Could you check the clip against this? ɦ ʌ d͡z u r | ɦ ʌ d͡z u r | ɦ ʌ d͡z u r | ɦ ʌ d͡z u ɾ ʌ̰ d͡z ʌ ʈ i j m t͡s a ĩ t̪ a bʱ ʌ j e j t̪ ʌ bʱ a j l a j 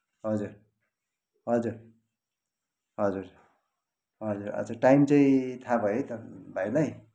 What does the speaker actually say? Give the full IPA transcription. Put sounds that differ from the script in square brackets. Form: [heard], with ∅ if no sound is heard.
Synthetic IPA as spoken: ɦ ʌ d͡z u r | ɦ ʌ d͡z u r | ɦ ʌ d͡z u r | ɦ ʌ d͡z u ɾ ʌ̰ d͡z ʌ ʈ [a] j m t͡s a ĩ [t̪ʰ] a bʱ ʌ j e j t̪ ʌ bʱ a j l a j